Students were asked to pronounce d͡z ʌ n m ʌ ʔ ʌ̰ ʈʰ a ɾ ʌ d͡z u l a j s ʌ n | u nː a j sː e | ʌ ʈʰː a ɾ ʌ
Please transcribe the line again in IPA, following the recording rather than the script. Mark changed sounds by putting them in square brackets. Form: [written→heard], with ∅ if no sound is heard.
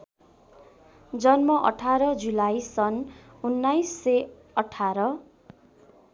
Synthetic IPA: d͡z ʌ n m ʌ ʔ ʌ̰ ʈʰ a ɾ ʌ d͡z u l a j s ʌ n | u nː a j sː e | ʌ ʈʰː a ɾ ʌ